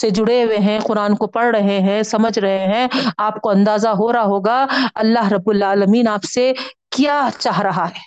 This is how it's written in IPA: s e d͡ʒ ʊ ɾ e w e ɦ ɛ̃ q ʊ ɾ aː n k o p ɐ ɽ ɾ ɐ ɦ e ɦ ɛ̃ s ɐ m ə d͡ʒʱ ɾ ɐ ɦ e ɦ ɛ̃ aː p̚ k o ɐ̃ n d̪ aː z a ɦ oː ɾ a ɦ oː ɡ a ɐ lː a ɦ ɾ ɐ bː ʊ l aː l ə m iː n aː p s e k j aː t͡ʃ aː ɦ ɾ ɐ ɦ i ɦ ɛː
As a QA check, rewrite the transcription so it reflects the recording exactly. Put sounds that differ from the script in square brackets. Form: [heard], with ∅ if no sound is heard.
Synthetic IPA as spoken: s e d͡ʒ ʊ [ɽ] e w e ɦ ɛ̃ q ʊ ɾ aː n k o p ɐ ɽ ɾ ɐ ɦ e ɦ ɛ̃ s ɐ m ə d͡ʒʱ ɾ ɐ ɦ e ɦ ɛ̃ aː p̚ k o ɐ̃ n d̪ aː z a ɦ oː ɾ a ɦ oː ɡ a ɐ lː a ɦ ɾ ɐ bː ʊ l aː l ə m iː n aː p s e k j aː t͡ʃ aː ɦ ɾ ɐ ɦ [a] ɦ ɛː